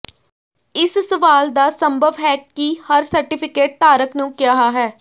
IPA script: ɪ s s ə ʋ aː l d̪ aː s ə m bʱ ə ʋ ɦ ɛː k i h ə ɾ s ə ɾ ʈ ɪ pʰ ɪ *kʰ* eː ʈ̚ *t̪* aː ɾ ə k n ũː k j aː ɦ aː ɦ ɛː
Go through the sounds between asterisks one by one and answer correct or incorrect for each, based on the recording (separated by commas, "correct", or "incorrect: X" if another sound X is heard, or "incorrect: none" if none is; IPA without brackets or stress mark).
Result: incorrect: k, correct